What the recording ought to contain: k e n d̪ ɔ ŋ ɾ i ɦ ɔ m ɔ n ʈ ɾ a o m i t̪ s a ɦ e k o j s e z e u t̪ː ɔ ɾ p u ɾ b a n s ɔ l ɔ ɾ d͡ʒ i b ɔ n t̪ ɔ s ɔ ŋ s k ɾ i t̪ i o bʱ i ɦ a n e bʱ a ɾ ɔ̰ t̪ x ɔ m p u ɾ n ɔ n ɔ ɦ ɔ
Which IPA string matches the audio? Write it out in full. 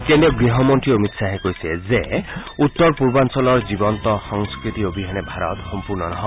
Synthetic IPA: k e n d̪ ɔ ɡ ɾ i ɦ ɔ m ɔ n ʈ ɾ i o m i t̪ s a ɦ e k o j s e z e u t̪ː ɔ ɾ p u ɾ b a n s ɔ l ɔ ɾ d͡ʒ i b ɔ n t̪ ɔ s ɔ ŋ s k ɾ i t̪ i o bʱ i ɦ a n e bʱ a ɾ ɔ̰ t̪ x ɔ m p u ɾ n ɔ n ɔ ɦ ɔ